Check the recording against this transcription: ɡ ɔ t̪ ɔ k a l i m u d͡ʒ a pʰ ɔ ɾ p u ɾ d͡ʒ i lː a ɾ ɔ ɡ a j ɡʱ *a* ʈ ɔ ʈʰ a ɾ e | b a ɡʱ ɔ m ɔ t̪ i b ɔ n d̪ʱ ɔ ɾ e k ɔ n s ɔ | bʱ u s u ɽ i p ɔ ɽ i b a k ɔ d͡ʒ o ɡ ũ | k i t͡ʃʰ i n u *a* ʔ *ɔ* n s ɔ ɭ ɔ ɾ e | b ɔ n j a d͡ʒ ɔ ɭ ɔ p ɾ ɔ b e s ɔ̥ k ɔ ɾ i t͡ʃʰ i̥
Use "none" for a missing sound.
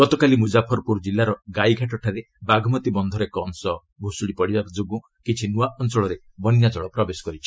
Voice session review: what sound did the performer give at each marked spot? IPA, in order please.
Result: a, a, ɔ

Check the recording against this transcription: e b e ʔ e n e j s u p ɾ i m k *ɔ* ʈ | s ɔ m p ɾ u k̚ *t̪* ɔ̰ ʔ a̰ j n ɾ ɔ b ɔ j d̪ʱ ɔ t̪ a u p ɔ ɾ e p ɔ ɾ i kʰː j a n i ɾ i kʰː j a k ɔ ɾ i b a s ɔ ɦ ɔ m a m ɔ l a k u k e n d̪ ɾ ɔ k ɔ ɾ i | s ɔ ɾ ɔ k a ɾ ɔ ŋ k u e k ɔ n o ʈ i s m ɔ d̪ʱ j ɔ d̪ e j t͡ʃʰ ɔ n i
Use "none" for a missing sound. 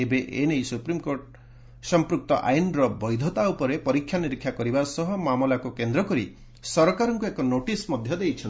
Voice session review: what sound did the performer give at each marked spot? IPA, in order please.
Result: o, t̪

